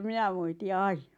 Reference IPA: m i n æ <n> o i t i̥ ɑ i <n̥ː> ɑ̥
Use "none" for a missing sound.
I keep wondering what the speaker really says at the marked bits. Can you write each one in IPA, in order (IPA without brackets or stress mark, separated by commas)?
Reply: m, n̥